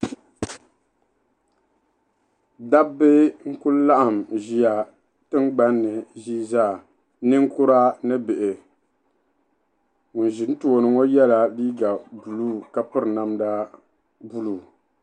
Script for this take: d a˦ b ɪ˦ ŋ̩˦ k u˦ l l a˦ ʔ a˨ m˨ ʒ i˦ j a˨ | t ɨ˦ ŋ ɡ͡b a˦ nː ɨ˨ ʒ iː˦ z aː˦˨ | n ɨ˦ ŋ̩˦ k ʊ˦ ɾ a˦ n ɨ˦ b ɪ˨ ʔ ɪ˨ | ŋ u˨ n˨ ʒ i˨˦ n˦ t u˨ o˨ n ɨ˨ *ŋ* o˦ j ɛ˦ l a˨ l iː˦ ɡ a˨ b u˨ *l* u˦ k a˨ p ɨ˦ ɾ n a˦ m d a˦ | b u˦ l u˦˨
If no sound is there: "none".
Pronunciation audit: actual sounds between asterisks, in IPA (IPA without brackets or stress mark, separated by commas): ŋ, l